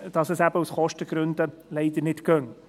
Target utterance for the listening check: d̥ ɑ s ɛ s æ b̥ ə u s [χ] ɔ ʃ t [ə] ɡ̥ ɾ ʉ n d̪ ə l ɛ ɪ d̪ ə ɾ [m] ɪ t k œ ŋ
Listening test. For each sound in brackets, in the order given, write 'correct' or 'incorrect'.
correct, correct, incorrect

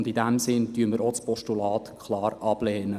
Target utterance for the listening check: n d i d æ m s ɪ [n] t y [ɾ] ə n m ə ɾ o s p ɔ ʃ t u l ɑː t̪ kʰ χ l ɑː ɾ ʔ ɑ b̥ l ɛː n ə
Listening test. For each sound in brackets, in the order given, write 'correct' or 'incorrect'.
correct, incorrect

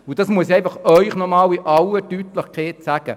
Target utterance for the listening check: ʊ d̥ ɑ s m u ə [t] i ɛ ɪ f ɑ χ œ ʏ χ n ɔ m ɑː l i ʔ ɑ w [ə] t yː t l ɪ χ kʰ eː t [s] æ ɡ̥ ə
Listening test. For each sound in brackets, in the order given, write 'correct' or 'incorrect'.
incorrect, correct, correct

